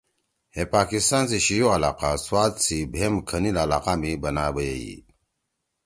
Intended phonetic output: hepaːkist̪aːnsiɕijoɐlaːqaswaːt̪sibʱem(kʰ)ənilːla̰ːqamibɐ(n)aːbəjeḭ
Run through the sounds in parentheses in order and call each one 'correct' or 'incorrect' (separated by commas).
correct, correct